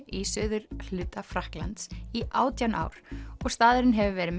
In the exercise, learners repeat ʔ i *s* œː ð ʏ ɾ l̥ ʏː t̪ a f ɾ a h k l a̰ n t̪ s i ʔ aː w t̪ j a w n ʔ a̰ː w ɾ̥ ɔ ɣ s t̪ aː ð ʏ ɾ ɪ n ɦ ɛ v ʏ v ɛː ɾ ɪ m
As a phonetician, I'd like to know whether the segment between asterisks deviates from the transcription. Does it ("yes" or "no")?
no